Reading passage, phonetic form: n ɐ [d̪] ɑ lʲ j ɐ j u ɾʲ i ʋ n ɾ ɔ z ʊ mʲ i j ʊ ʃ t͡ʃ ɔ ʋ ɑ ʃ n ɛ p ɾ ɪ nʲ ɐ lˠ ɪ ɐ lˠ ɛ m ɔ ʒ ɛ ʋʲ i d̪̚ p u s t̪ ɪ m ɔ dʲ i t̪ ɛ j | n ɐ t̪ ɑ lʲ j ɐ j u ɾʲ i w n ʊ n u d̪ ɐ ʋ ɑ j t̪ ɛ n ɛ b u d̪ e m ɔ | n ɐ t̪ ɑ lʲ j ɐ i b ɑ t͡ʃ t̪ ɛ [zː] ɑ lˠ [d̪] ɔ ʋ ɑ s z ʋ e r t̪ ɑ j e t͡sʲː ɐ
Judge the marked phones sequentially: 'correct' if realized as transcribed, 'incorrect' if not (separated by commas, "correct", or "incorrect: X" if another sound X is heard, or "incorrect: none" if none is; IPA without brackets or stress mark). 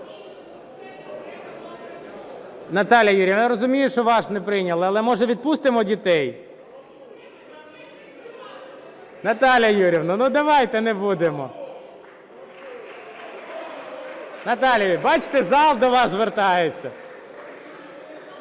incorrect: t̪, incorrect: z, correct